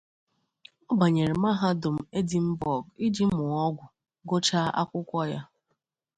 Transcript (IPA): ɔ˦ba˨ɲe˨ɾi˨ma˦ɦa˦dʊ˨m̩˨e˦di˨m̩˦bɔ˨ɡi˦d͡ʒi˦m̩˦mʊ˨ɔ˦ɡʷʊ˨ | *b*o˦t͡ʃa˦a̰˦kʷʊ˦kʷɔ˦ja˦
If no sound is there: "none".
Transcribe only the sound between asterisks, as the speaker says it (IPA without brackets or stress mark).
ɡ